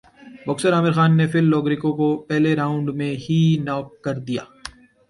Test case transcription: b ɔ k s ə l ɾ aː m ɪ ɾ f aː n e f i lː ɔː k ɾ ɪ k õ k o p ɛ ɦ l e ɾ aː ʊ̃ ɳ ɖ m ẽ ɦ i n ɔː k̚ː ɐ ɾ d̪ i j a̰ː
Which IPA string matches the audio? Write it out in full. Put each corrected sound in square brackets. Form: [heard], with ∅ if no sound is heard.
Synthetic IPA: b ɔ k s ə [∅] ɾ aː m ɪ ɾ [x] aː [nː] e f [ɪ] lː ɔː [ɡ] ɾ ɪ k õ k o p ɛ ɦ l e ɾ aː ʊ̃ ɳ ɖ m ẽ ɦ i n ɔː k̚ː ɐ ɾ d̪ i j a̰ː